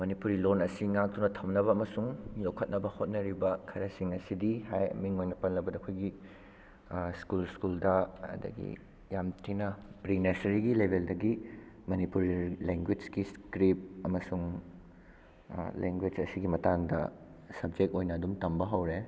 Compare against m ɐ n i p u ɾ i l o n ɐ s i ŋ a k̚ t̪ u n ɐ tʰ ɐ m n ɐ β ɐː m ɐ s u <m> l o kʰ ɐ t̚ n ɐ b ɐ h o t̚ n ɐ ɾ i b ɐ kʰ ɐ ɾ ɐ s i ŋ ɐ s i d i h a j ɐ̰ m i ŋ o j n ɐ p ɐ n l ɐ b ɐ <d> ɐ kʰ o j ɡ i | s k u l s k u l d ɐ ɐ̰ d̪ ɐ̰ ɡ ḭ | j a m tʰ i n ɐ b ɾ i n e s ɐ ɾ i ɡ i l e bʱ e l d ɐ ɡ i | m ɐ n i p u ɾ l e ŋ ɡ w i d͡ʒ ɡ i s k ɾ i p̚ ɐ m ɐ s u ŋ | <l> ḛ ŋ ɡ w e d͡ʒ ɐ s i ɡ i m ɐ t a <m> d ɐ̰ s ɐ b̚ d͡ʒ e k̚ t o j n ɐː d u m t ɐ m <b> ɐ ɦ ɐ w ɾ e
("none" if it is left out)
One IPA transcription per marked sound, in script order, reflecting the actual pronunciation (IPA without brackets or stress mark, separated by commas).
ŋ, d, l, ŋ, b